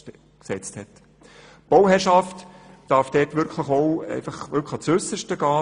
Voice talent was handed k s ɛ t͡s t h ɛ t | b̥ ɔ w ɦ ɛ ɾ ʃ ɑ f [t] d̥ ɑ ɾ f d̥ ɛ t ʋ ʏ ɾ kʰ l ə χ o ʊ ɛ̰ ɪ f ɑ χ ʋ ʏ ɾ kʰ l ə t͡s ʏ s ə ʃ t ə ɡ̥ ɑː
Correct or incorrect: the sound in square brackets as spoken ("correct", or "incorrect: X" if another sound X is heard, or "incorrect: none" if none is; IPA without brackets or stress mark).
correct